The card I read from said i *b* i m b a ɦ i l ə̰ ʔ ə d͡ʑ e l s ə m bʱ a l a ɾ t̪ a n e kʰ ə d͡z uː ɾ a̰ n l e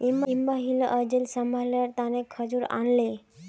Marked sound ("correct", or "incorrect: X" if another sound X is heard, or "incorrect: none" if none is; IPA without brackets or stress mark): incorrect: m